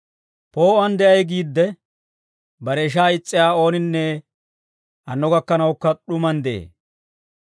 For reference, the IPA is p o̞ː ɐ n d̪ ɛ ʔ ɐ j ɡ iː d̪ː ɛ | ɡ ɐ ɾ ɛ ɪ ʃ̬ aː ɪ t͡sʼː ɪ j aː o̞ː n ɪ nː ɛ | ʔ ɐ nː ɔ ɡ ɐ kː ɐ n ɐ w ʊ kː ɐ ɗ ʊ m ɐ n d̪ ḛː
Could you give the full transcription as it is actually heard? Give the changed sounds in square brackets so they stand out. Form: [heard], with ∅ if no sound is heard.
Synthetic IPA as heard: p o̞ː ɐ n d̪ ɛ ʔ ɐ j ɡ iː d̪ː ɛ | [b] ɐ ɾ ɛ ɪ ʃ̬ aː ɪ t͡sʼː ɪ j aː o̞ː n ɪ nː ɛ | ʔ ɐ nː ɔ ɡ ɐ kː ɐ n ɐ w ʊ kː ɐ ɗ ʊ m ɐ n d̪ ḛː